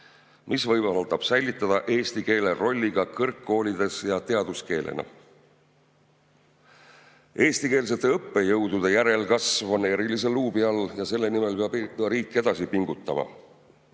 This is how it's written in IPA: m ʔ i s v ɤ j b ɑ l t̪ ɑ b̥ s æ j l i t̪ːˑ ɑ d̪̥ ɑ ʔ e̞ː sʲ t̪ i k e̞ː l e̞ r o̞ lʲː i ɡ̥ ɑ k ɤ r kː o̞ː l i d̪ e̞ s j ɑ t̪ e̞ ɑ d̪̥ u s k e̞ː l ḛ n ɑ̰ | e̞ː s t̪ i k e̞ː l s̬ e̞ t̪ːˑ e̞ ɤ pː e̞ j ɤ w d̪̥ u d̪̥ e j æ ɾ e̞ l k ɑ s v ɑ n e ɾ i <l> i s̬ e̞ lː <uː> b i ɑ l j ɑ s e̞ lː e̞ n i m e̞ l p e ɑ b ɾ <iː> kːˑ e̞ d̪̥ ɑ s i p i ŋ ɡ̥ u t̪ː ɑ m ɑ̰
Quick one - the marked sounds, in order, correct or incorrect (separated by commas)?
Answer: correct, correct, correct